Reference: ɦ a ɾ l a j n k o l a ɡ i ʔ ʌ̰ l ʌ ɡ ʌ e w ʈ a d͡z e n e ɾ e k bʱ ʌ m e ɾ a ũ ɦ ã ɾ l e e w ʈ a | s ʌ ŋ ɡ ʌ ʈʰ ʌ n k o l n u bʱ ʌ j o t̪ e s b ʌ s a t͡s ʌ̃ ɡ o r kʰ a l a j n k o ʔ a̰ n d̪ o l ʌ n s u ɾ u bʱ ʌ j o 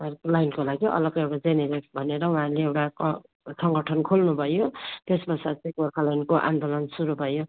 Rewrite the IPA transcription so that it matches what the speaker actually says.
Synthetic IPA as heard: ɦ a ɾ l a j n k o l a ɡ i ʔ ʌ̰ l ʌ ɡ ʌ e w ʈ a d͡z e n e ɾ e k bʱ ʌ n e ɾ ʌ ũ ɦ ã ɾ l e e w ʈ a | s ʌ ŋ ɡ ʌ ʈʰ ʌ n kʰ o l n u bʱ ʌ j o t̪ e s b ʌ s a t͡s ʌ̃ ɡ o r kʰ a l a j n k o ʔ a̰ n d̪ o l ʌ n s u ɾ u bʱ ʌ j o